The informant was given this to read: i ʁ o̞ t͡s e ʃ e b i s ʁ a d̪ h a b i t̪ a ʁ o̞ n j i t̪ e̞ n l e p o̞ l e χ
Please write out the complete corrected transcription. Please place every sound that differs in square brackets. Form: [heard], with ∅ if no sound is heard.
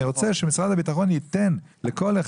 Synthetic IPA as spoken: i ʁ o̞ t͡s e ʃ e [m] i s ʁ a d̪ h a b i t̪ a [χ] o̞ n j i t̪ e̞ n l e [k] o̞ l e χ